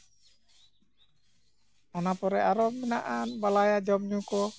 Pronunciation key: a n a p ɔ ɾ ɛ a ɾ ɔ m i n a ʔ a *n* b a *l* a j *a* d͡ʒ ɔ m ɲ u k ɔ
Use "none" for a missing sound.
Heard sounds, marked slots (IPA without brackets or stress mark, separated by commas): n, l, a